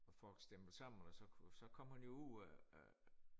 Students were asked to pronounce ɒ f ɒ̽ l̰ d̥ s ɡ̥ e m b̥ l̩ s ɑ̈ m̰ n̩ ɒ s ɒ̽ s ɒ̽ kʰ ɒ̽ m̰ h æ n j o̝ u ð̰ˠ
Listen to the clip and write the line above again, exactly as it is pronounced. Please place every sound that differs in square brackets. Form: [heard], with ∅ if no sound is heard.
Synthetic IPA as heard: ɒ f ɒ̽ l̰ [ɡ̥] s [d̥] e m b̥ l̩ s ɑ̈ m̰ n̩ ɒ s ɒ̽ s ɒ̽ kʰ ɒ̽ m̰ h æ n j o̝ u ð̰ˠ